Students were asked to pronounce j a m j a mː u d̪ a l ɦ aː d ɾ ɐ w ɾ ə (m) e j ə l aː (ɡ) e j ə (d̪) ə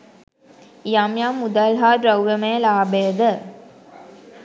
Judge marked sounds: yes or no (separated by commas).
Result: yes, no, yes